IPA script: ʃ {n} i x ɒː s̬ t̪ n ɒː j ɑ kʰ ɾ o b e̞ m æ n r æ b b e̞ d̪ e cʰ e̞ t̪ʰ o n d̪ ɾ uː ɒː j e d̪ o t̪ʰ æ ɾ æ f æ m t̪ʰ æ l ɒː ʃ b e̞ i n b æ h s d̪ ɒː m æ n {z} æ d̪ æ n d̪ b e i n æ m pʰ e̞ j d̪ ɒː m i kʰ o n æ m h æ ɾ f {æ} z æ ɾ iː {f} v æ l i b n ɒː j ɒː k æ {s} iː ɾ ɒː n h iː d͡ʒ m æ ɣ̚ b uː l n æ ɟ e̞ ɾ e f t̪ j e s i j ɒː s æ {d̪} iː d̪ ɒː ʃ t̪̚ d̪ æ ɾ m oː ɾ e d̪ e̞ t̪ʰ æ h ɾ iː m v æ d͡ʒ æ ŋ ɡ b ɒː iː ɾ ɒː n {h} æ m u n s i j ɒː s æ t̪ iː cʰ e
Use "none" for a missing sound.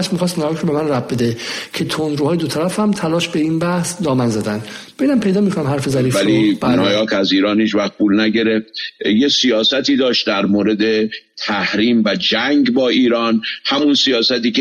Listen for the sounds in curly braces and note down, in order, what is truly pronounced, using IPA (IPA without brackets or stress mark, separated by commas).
m, z, e, f, z, t̪, h